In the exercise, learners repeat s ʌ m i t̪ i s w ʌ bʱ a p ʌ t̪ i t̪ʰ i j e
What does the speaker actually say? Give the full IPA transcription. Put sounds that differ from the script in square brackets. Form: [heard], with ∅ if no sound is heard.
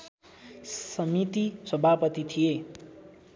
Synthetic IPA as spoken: s ʌ m i t̪ i s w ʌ bʱ a p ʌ t̪ i t̪ʰ i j e